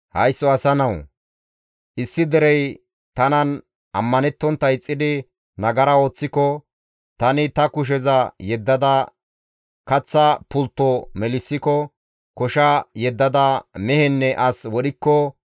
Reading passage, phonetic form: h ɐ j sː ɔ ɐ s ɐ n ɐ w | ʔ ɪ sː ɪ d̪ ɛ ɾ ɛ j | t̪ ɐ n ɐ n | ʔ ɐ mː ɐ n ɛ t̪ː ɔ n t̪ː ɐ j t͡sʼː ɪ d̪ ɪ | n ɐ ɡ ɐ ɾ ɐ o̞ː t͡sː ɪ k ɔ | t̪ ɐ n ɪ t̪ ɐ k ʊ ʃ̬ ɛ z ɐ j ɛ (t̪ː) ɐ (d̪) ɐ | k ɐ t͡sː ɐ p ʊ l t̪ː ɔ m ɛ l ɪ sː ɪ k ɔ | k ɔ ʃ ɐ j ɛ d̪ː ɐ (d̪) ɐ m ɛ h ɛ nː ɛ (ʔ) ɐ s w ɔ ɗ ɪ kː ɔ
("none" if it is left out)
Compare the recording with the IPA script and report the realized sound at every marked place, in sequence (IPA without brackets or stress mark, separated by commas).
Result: d̪ː, d̪, d̪, ʔ